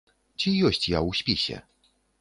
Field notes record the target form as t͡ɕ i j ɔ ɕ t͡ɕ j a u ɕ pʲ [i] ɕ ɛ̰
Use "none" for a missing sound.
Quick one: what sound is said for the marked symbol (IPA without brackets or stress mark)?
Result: i